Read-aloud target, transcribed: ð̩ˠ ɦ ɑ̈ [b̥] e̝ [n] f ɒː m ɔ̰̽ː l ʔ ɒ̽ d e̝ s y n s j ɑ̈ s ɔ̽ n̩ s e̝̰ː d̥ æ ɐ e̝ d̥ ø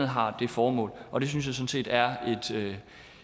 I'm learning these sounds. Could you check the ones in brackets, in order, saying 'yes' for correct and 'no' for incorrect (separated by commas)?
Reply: no, no